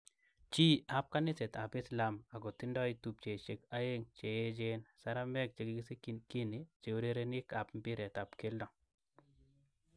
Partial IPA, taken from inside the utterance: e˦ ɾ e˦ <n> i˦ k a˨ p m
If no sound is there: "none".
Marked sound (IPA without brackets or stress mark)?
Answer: n